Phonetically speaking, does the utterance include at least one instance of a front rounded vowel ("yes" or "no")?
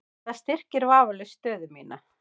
yes